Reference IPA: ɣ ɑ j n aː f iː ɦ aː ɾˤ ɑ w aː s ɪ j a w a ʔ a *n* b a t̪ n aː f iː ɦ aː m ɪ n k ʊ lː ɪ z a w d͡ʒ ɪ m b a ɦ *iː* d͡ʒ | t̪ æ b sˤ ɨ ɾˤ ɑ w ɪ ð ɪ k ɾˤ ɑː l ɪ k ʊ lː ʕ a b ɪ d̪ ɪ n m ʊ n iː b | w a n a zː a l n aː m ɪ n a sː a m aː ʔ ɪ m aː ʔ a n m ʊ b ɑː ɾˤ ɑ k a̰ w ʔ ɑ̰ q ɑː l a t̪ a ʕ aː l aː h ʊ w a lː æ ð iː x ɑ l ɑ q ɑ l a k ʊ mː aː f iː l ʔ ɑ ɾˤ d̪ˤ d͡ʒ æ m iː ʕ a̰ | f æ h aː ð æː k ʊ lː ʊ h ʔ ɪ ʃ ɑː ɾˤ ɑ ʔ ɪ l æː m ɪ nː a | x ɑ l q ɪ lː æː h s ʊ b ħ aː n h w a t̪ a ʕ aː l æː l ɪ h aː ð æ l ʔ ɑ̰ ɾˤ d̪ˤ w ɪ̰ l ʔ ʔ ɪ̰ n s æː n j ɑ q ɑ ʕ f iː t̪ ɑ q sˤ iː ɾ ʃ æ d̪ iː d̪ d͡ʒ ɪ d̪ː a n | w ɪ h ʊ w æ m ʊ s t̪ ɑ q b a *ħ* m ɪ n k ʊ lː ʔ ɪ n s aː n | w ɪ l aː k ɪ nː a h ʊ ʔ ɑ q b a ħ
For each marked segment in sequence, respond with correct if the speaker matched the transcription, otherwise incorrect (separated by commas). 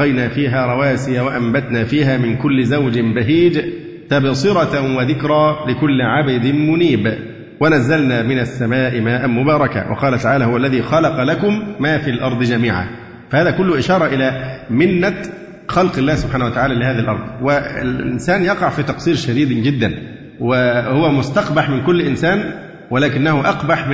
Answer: incorrect, correct, correct